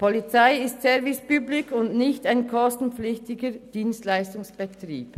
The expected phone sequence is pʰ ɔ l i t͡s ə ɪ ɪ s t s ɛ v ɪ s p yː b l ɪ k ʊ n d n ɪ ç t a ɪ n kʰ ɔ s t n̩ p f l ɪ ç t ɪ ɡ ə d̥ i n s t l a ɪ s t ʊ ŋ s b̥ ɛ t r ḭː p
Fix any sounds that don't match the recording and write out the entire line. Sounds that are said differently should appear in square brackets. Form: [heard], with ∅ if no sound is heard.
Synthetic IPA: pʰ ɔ l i t͡s [a] ɪ ɪ s t s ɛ v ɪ s p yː b l ɪ k ʊ n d n ɪ ç t a ɪ n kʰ ɔ s t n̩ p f l ɪ ç t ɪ ɡ ə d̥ [iː] n s t l a ɪ s t ʊ ŋ s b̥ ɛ t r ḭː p